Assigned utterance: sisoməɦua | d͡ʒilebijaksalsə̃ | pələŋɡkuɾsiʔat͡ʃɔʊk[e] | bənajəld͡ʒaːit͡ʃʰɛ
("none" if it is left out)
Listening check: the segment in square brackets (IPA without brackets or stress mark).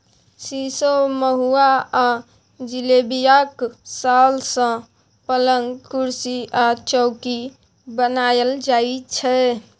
i